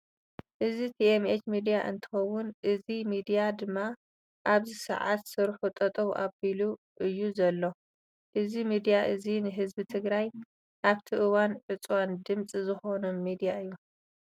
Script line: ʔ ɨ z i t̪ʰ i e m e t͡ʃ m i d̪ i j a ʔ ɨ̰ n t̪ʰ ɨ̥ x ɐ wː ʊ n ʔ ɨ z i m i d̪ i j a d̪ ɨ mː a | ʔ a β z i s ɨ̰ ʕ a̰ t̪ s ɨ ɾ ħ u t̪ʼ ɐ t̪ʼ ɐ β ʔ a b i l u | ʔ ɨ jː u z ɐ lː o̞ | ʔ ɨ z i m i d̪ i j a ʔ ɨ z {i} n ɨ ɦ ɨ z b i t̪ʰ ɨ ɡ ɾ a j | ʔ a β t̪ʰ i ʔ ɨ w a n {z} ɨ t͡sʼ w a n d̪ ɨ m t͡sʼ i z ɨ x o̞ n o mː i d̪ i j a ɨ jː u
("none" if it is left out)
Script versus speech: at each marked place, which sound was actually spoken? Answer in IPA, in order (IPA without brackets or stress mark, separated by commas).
i, ʕ